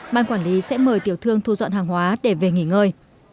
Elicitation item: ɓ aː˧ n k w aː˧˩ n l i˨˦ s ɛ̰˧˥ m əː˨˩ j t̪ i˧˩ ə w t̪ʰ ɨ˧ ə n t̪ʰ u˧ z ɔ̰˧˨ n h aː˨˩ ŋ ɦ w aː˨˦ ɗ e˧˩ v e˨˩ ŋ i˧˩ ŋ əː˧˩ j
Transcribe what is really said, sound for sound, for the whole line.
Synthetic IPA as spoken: ɓ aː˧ n k w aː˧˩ n l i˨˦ s ɛ̰˧˥ m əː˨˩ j t̪ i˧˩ ə w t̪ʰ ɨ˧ ə ŋ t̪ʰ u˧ z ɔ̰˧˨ n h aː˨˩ ŋ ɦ w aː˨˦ ɗ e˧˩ v e˨˩ ŋ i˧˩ ŋ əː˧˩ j